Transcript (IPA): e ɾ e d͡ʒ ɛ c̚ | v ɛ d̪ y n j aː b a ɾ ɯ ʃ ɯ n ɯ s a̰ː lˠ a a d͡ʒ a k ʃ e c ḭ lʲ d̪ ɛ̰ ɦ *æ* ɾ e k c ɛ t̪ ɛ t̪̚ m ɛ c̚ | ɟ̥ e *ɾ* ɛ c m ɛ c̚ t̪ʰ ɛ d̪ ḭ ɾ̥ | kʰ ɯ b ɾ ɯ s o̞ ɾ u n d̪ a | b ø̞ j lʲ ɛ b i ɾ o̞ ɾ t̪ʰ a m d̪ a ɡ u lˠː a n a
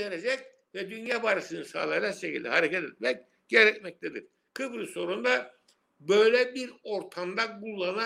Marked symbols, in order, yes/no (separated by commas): no, yes